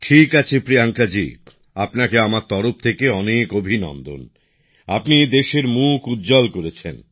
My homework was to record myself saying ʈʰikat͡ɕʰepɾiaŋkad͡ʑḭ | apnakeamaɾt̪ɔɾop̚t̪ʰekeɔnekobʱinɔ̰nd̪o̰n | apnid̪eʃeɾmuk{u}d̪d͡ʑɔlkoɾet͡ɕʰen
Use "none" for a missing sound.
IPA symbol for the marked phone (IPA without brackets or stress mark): u